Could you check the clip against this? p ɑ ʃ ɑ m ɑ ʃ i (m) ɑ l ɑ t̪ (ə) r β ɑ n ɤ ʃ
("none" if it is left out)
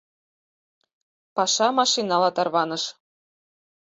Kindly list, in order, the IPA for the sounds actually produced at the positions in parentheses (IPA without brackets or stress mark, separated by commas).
n, ɑ